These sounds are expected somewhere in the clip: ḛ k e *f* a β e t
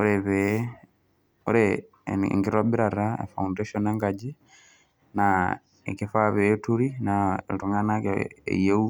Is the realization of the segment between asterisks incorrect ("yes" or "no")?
no